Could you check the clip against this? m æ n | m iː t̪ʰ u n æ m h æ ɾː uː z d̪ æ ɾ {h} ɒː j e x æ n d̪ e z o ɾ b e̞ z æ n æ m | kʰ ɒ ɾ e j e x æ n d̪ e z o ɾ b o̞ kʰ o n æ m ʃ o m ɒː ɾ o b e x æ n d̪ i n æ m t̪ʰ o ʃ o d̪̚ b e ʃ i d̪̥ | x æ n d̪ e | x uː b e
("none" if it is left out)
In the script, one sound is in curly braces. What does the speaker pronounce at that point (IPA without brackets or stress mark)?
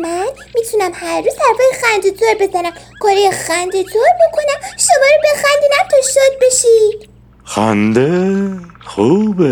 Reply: f